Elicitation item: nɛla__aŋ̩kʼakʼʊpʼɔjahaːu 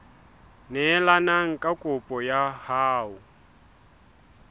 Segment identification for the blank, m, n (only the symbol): n